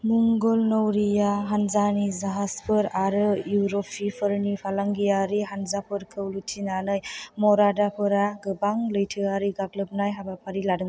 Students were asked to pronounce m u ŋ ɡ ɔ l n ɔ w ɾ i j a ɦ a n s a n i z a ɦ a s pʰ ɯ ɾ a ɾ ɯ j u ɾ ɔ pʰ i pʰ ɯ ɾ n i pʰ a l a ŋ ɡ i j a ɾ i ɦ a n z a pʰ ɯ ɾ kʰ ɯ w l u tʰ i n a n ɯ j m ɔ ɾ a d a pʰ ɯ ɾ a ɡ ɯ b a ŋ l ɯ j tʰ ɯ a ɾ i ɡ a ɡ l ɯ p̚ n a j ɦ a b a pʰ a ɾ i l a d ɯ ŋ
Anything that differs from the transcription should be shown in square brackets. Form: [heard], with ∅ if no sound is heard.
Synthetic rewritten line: m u ŋ ɡ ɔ l n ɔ w ɾ i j a ɦ a n [z] a n i z a ɦ a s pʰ ɯ ɾ a ɾ ɯ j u ɾ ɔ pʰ i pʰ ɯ ɾ n i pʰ a l a ŋ ɡ i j a ɾ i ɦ a n z a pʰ ɯ ɾ kʰ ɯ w l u tʰ i n a n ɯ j m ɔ ɾ a d a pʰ ɯ ɾ a ɡ ɯ b a ŋ l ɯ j tʰ ɯ a ɾ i ɡ a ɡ l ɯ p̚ n a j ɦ a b a pʰ a ɾ i l a d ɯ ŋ